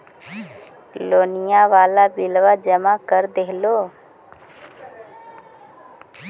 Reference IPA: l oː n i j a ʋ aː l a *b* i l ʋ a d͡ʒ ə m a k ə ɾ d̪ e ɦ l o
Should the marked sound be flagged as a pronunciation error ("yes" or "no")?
no